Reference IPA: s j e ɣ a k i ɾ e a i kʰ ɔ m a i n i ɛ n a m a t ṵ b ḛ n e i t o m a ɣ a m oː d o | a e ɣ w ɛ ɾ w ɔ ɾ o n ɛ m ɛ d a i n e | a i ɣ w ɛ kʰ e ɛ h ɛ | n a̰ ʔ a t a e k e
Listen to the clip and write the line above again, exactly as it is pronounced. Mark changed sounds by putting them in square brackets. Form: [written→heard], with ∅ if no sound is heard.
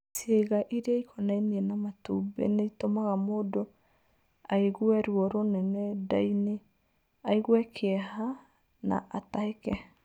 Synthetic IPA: s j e ɣ a [k→ʔ] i ɾ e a i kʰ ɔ [m→n] a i n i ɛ n a m a t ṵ b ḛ n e i t o m a ɣ a m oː d o | a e ɣ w ɛ ɾ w ɔ ɾ o n ɛ [m→n] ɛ d a i n e | a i ɣ w ɛ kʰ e ɛ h [ɛ→a] | n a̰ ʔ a t a e k [e→ɛ]